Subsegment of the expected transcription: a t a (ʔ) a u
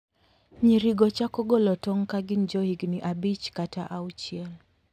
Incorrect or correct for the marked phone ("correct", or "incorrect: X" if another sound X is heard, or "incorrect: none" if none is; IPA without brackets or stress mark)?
correct